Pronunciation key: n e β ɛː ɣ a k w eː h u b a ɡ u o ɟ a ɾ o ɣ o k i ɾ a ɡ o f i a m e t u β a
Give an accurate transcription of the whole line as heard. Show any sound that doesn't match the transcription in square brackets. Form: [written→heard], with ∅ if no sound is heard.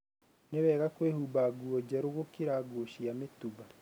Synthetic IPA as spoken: n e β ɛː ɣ a k w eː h u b a ɡ u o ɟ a ɾ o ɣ o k i ɾ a ɡ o [f→ʃ] i a m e t u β a